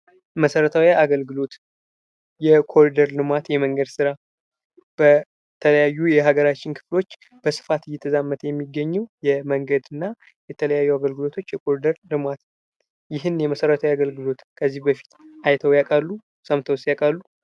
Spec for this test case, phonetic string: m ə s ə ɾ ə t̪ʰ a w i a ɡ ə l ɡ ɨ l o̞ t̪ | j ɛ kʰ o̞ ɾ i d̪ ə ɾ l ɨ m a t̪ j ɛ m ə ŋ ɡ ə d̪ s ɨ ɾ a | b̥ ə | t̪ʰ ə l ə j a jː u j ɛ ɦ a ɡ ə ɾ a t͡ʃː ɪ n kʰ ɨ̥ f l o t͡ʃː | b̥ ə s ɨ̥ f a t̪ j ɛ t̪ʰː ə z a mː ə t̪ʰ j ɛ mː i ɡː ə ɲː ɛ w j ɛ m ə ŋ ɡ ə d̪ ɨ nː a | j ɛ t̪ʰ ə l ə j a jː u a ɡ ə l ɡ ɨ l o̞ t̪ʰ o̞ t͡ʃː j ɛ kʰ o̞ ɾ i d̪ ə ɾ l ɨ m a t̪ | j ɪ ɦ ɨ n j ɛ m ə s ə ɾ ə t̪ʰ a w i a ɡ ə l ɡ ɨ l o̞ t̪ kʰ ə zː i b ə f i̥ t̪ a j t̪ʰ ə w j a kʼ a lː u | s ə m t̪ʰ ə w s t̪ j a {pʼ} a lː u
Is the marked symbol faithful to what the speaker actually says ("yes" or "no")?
no